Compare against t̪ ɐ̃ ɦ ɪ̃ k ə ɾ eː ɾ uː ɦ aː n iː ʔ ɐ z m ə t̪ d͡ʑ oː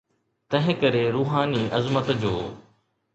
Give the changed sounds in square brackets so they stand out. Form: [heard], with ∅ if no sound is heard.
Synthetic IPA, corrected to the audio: t̪ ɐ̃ ɦ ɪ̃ k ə ɾ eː ɾ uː ɦ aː n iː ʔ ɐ z m ə t̪ d͡ʑ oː